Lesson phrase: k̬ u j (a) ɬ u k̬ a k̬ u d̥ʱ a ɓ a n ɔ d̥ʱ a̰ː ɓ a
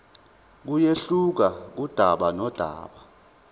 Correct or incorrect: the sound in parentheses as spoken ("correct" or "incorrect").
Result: incorrect